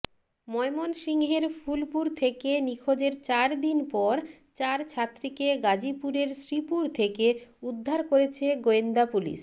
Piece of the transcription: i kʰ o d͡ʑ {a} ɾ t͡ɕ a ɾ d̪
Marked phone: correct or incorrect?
incorrect